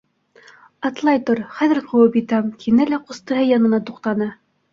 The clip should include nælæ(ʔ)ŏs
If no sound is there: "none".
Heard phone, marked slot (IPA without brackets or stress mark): q